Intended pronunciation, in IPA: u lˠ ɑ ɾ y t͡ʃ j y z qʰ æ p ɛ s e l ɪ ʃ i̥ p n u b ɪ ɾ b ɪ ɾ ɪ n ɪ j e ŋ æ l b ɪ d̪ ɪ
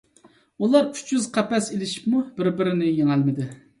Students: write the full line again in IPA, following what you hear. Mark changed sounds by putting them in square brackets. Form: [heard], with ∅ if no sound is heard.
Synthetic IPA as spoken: u lˠ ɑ ɾ y t͡ʃ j y z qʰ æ p ɛ s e l ɪ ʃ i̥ p [m] u b ɪ ɾ b ɪ ɾ ɪ n ɪ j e ŋ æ l [m] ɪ d̪ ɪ